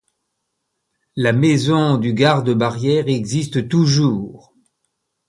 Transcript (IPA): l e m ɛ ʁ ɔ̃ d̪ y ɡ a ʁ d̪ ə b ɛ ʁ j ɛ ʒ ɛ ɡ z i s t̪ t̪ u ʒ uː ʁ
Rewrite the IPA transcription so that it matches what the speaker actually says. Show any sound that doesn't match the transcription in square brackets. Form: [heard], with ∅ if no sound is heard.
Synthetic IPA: l [a] m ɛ [z] ɔ̃ d̪ y ɡ a ʁ d̪ ə b [a] ʁ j ɛ [ʁ] ɛ ɡ z i s t̪ t̪ u ʒ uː ʁ